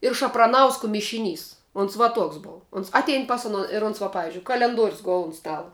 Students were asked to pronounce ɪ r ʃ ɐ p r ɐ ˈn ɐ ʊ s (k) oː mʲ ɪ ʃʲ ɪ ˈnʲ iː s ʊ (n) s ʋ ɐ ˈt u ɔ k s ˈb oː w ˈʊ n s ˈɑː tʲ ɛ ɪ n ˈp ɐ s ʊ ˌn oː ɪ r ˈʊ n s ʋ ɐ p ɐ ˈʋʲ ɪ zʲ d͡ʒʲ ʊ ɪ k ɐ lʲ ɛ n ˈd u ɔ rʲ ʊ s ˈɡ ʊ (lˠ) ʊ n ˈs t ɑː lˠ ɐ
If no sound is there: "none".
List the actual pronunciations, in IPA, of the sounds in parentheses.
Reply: k, n, lˠ

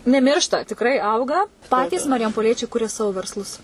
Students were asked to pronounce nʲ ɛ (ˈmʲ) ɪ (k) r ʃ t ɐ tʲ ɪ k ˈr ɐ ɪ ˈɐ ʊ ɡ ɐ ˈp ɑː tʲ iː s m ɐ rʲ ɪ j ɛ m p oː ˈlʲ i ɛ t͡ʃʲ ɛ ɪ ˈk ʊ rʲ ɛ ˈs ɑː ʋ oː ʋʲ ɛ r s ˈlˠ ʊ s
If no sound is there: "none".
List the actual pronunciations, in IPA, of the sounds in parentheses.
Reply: mʲ, none

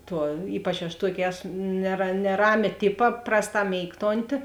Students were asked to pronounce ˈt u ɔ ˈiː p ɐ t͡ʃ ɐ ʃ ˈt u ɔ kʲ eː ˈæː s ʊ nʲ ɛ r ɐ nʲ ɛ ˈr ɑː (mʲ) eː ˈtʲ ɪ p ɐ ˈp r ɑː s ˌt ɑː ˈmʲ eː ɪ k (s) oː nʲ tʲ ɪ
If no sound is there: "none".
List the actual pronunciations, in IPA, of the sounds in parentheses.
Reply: mʲ, t

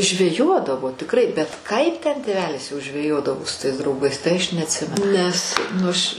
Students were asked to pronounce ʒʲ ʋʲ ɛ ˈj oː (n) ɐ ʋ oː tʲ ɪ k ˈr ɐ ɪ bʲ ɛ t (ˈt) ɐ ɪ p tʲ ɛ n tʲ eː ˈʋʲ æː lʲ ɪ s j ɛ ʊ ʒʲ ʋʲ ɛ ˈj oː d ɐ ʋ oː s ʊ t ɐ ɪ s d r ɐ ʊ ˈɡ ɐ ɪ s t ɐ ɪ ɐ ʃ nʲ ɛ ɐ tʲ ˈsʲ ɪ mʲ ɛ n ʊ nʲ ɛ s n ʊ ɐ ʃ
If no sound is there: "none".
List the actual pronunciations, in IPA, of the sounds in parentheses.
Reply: d, k

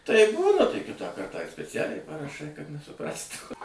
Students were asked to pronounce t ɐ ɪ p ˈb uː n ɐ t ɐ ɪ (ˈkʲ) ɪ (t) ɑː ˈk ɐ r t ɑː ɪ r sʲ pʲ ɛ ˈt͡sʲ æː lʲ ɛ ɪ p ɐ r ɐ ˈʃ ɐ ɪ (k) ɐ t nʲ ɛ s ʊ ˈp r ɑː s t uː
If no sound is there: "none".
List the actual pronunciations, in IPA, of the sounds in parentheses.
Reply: kʲ, t, k

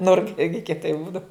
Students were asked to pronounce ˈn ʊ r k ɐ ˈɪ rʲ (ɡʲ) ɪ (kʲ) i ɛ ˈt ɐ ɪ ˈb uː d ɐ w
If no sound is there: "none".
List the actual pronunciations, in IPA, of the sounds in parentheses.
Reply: ɡʲ, kʲ

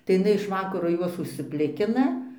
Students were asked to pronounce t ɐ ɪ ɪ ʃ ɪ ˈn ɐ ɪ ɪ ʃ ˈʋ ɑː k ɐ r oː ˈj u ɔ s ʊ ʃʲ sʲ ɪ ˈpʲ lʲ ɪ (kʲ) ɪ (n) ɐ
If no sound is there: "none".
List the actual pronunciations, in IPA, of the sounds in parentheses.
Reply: kʲ, n

